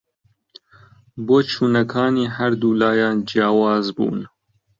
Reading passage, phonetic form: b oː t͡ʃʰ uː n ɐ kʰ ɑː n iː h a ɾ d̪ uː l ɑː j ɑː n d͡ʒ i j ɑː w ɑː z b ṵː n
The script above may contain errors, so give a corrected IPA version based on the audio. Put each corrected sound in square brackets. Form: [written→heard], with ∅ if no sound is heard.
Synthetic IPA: b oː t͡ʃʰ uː n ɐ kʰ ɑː n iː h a ɾ d̪ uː l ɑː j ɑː n d͡ʒ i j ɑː w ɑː z b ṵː n